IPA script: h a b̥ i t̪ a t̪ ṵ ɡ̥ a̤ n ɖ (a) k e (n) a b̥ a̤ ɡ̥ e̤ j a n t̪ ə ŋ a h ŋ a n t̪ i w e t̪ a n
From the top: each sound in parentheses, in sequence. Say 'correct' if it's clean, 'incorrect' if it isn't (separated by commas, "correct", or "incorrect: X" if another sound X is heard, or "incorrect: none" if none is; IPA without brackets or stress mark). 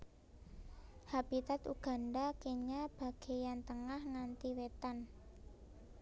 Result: correct, incorrect: ɲ